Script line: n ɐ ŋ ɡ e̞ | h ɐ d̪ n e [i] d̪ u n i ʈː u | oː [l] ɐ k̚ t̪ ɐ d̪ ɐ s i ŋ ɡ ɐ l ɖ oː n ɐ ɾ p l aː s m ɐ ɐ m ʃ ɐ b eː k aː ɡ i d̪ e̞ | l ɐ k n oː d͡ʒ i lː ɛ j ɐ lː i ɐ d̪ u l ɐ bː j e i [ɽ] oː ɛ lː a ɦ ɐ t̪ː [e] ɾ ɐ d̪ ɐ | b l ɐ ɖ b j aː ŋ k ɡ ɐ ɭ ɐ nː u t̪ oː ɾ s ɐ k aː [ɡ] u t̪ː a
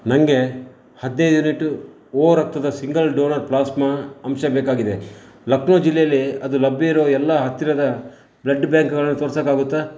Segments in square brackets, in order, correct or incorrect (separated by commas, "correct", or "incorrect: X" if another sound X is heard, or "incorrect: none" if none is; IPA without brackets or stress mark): incorrect: j, incorrect: ɾ, incorrect: ɾ, incorrect: i, correct